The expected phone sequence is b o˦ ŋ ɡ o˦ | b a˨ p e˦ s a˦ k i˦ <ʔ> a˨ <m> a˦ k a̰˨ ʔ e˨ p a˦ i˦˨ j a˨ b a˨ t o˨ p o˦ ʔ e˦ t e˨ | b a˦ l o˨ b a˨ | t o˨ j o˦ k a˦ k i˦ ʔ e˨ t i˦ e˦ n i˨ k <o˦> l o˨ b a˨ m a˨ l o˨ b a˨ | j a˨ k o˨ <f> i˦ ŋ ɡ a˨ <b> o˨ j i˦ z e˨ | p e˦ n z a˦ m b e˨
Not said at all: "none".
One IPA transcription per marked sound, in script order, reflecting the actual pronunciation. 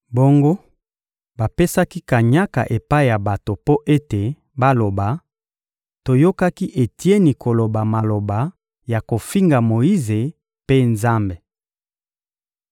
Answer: k, ɲ, o˨, f, m

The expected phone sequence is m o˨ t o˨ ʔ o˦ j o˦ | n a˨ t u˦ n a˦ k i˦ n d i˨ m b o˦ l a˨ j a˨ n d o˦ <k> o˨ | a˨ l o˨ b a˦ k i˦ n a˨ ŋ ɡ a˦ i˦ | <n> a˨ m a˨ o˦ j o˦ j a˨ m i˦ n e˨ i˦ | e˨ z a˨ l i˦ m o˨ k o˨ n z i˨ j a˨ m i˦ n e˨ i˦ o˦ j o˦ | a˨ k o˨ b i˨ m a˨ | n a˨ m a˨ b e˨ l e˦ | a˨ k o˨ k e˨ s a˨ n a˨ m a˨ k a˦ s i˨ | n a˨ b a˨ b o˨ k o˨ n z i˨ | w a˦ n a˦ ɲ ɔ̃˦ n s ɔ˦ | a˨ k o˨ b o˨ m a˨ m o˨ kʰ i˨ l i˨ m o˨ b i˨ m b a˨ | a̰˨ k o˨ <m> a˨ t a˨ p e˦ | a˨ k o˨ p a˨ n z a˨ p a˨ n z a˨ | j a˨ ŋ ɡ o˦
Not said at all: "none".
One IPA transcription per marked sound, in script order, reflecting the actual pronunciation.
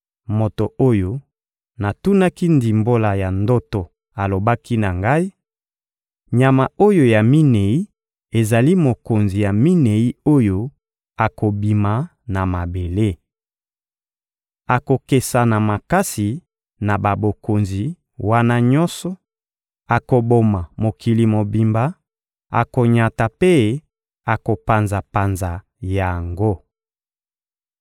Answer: t, ɲ, ɲ

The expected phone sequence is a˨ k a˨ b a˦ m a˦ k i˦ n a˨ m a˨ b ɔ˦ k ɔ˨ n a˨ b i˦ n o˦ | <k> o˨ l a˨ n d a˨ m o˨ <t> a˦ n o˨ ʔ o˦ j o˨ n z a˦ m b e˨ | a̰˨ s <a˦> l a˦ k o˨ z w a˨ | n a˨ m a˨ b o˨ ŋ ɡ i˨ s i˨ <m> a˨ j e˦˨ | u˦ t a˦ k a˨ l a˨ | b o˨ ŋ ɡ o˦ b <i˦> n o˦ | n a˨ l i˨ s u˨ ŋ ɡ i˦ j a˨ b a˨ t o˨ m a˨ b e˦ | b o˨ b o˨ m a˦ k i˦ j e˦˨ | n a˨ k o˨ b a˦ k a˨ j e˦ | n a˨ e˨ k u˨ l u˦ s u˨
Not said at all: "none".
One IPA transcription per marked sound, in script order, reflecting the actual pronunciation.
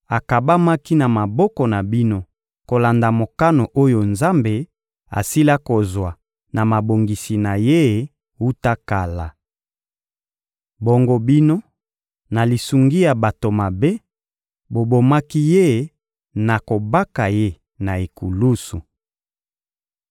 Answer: k, k, i˦, n, i˦

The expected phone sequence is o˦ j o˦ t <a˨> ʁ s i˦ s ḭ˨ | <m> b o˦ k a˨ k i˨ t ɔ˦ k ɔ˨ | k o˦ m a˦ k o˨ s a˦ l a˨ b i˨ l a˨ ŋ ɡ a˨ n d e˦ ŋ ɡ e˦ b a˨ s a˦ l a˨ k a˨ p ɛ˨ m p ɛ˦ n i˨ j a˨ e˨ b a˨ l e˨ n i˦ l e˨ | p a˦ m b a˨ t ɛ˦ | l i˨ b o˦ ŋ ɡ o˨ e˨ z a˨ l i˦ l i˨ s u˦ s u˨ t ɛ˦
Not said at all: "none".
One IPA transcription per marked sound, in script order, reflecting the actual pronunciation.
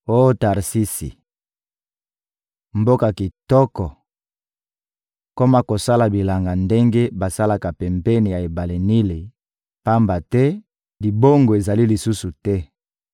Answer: a˨, m

